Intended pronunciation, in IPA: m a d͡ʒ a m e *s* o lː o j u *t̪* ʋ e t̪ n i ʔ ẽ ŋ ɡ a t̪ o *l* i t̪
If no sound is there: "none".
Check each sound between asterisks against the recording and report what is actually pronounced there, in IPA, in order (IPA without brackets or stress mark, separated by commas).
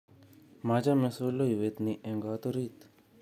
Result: s, none, ɾ